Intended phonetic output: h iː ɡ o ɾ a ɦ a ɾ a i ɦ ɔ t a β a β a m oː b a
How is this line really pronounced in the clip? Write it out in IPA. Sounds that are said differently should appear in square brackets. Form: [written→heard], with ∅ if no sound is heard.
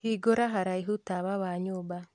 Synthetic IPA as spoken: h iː ɡ o ɾ a ɦ a ɾ a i ɦ [ɔ→u] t a β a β a [m→ɲ] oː b a